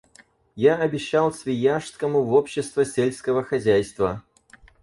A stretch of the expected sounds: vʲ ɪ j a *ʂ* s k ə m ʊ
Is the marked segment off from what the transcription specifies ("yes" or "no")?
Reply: no